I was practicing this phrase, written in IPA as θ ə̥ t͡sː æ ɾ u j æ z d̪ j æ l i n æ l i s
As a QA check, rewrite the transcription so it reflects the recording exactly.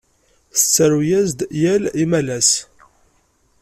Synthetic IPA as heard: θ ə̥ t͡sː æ ɾ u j æ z d̪ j æ l i m æ l æ s